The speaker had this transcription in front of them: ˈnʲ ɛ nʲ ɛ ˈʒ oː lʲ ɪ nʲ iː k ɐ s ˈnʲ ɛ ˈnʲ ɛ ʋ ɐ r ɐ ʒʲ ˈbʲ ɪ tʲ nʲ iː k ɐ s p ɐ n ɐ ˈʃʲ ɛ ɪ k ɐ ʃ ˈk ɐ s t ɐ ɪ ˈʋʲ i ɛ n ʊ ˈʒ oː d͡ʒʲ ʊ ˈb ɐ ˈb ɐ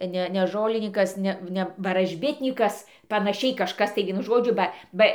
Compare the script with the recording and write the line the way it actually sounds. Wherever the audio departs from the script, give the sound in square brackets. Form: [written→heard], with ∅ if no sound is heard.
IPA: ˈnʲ ɛ nʲ ɛ ˈʒ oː lʲ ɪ nʲ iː k ɐ s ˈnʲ ɛ ˈnʲ ɛ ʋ ɐ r ɐ ʒʲ ˈbʲ ɪ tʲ nʲ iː k ɐ s p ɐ n ɐ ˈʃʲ ɛ ɪ k ɐ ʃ ˈk ɐ s t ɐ ɪ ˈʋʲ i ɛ n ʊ ˈʒ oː d͡ʒʲ ʊ ˈb ɐ ˈb ɐ